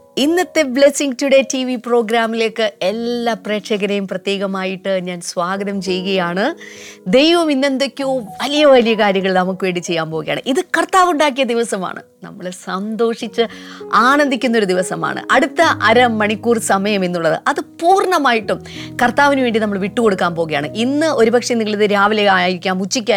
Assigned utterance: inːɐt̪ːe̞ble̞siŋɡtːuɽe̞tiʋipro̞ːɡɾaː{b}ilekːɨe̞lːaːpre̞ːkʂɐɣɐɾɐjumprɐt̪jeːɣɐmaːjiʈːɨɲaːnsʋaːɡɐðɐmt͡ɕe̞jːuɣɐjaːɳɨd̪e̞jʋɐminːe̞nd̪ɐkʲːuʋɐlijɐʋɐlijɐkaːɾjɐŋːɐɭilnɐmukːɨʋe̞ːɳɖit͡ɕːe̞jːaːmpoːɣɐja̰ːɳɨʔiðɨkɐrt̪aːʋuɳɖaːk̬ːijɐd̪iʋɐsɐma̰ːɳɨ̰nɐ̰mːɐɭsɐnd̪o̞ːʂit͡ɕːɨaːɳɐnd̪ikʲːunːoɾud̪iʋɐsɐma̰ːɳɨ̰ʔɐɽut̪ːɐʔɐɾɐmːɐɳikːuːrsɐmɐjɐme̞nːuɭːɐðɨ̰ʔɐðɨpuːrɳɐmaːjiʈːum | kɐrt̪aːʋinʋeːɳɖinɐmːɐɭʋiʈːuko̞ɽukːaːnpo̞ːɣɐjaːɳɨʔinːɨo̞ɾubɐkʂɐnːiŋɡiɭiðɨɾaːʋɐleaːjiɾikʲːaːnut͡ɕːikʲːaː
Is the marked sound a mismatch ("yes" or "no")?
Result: yes